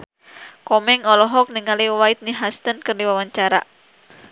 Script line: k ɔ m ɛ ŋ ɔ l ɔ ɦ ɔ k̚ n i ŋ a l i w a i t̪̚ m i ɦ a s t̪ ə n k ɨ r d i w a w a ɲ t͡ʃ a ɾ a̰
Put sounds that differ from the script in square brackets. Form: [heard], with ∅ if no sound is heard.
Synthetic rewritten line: k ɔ m ɛ ŋ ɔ l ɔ ɦ ɔ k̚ n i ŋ a l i w a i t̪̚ [n] i ɦ a s t̪ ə n k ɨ r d i w a w a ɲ t͡ʃ a ɾ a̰